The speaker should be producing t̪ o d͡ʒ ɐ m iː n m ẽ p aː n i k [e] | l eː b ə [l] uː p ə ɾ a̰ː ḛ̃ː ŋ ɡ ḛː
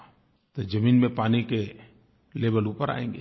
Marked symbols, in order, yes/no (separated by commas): yes, yes